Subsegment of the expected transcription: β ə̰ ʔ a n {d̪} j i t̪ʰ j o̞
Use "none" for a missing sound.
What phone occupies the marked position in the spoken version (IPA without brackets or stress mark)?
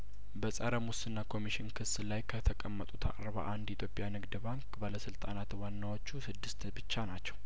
d̪